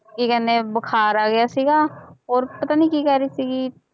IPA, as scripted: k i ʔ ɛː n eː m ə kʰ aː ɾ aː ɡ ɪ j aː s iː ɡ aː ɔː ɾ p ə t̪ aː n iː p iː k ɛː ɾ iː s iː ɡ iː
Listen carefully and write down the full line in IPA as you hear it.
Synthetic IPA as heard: k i k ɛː n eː b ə kʰ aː ɾ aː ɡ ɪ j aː s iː ɡ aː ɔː ɾ p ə t̪ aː n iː k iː k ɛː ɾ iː s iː ɡ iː